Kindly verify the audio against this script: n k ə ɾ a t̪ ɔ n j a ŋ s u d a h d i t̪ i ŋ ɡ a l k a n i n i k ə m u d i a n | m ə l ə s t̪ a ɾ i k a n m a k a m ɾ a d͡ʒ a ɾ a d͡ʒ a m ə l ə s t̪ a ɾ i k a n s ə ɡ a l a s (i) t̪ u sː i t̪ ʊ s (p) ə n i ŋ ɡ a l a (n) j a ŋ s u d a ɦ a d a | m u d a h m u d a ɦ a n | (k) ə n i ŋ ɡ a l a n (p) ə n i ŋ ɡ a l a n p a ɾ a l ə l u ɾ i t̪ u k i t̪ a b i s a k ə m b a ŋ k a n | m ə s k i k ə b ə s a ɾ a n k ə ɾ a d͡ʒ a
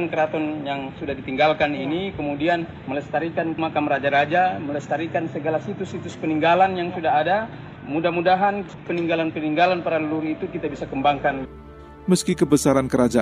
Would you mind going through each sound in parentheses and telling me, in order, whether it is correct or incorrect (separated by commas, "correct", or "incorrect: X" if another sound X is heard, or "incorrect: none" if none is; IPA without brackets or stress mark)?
correct, correct, correct, incorrect: p, correct